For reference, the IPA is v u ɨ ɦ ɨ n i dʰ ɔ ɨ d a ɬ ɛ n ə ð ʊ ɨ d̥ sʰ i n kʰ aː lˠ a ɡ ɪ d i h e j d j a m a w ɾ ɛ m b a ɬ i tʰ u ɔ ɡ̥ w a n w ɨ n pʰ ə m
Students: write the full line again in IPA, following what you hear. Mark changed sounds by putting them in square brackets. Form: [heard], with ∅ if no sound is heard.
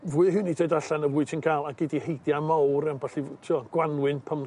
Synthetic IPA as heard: v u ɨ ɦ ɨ n i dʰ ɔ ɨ d a ɬ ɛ n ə [v] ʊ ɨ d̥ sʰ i n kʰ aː lˠ a ɡ ɪ d i h e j d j a m a w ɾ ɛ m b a ɬ i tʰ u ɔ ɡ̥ w a n w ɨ n pʰ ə m